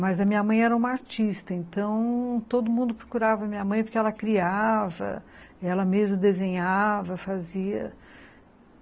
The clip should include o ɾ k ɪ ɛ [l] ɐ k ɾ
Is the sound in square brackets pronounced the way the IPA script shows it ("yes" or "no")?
yes